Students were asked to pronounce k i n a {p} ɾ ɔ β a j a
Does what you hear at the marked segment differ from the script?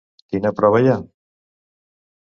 no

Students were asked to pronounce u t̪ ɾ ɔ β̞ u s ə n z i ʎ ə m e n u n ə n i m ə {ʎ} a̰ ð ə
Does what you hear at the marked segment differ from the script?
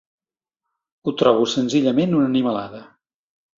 yes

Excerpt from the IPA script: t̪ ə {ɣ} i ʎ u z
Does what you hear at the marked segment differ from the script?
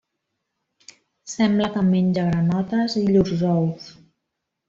yes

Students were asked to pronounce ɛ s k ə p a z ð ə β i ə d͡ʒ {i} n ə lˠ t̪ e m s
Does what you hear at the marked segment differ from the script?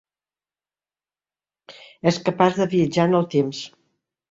yes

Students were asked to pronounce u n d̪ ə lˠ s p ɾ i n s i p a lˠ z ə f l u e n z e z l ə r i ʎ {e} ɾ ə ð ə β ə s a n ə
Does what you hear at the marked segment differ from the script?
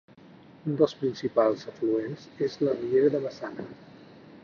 no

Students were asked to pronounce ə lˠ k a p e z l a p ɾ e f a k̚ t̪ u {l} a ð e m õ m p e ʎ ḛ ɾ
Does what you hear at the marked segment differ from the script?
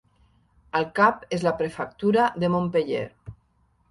yes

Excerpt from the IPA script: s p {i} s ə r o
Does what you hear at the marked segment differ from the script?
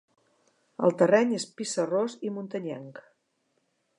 no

